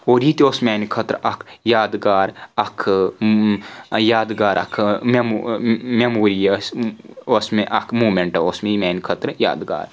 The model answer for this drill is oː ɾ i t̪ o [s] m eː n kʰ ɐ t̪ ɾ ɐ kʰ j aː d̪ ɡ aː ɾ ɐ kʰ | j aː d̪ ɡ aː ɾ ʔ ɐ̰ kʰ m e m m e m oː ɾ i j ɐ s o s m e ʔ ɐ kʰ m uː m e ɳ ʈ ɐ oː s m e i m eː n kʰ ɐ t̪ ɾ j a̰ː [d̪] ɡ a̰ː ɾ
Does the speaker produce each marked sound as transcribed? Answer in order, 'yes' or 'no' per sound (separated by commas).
yes, yes